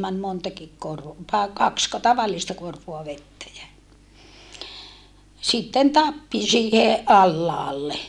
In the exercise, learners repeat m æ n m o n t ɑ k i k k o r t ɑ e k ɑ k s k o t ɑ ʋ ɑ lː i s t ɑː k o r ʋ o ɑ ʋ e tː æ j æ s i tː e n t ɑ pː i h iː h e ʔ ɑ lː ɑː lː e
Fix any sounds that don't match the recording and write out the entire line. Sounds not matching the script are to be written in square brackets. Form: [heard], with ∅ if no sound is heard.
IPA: m æ n m o n t ɑ k i k k o r t ɑ e k ɑ k s k o t ɑ ʋ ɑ lː i s t [ɑ] k o r ʋ o ɑ ʋ e tː æ j æ s i tː e n t ɑ pː i [s] iː h e ʔ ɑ lː ɑː lː e